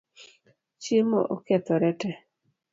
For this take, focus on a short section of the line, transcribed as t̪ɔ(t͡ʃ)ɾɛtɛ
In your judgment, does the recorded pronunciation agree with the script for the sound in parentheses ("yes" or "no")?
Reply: no